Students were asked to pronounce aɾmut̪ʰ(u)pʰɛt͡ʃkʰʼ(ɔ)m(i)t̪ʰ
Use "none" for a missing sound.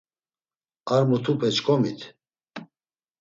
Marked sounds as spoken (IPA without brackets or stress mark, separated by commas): u, ɔ, i